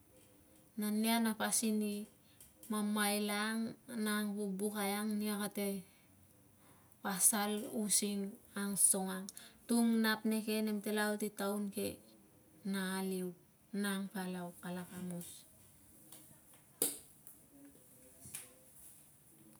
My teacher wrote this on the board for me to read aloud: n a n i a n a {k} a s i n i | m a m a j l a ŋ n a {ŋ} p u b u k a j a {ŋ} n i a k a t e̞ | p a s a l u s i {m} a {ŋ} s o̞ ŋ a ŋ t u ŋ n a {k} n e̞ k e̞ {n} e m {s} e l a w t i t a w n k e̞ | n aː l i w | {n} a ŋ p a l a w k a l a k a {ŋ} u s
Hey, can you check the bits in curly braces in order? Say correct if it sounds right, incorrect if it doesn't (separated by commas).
incorrect, correct, correct, incorrect, correct, incorrect, correct, incorrect, correct, incorrect